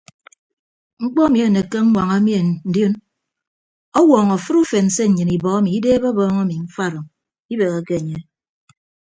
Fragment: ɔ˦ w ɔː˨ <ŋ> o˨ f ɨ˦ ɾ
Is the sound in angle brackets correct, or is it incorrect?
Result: correct